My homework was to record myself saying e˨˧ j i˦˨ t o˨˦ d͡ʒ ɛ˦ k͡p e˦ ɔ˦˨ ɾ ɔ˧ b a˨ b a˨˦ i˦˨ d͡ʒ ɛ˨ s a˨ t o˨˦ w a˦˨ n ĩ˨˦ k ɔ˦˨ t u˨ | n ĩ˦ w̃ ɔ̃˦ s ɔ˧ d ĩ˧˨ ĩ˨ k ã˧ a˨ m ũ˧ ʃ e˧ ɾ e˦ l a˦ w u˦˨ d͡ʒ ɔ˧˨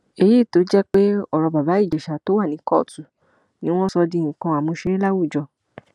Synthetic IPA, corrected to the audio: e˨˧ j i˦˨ t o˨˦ d͡ʒ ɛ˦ k͡p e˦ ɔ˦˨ ɾ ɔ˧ b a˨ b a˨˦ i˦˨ d͡ʒ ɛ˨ ʃ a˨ t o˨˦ w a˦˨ n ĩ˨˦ k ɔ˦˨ t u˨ | n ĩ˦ w̃ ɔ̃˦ s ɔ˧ d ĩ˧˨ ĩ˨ k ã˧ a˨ m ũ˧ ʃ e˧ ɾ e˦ l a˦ w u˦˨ d͡ʒ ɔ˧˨